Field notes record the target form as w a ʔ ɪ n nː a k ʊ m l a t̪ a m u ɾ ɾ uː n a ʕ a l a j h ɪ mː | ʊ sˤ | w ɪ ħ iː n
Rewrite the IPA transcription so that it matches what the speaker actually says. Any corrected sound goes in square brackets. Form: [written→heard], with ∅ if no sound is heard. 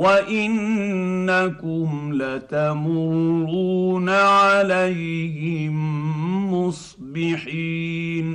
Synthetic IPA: w a ʔ ɪ n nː a k ʊ m l a t̪ a m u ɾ ɾ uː n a ʕ a l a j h ɪ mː | ʊ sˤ | [w→b] ɪ ħ iː n